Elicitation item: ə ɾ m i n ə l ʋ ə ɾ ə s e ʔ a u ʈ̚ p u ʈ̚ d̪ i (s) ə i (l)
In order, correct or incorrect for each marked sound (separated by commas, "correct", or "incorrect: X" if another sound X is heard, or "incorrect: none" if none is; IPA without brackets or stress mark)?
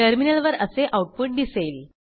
correct, correct